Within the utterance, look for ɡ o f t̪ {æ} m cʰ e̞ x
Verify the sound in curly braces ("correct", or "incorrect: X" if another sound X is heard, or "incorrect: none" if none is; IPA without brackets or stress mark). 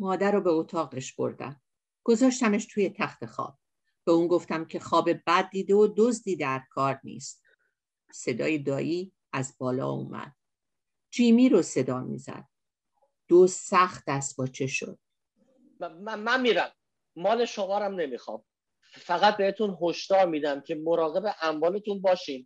correct